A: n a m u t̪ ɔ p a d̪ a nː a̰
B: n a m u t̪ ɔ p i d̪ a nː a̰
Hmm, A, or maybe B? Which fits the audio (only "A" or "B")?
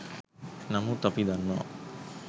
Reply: B